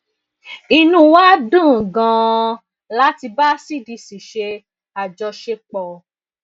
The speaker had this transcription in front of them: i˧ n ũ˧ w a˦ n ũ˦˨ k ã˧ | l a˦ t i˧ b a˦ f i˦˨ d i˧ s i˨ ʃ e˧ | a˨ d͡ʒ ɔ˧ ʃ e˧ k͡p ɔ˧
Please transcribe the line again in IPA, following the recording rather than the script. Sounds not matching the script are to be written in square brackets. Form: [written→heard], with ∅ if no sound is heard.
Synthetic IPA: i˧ n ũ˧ w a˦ [n→d] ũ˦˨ [k→ɡ] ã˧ | l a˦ t i˧ b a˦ [f→s] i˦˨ d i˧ s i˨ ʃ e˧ | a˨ d͡ʒ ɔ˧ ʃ e˧ k͡p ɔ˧